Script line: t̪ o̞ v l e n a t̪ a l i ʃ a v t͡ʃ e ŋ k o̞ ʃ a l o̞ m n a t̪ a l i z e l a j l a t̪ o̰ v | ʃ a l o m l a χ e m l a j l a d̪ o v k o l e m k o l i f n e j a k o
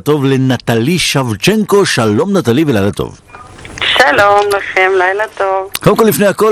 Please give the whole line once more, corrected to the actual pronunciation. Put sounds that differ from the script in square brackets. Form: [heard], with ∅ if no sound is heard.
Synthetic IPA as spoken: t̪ o̞ v l e n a t̪ a l i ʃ a v t͡ʃ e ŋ k o̞ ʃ a l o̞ m n a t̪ a l i [v] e l a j l a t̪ o̰ v | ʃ a l o m l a χ e m l a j l a [t̪] o v k o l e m k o l i f n e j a k o